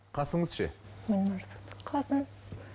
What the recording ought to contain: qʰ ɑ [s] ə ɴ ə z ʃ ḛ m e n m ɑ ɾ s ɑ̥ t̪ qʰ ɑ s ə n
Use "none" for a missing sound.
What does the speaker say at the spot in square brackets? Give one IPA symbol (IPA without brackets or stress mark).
s